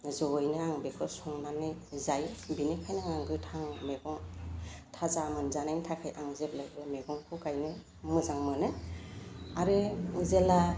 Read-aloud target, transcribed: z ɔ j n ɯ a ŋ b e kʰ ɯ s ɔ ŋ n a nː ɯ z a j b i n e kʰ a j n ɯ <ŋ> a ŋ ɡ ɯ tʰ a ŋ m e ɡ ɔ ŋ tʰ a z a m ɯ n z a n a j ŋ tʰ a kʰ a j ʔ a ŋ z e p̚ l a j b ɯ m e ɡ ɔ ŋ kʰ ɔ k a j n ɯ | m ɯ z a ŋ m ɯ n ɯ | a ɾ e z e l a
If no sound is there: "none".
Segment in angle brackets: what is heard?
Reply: ŋ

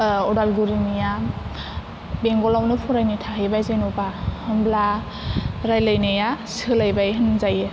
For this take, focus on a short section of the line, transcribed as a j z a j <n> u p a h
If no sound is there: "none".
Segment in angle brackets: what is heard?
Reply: n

